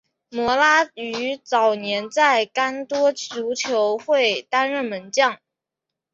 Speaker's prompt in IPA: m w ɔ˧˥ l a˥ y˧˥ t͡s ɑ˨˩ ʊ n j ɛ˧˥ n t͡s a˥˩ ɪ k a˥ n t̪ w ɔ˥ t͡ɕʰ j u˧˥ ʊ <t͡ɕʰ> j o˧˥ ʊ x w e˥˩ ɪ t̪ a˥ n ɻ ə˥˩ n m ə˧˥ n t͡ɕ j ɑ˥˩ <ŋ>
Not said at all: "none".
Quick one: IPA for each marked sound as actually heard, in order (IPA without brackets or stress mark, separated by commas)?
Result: t͡ɕʰ, ŋ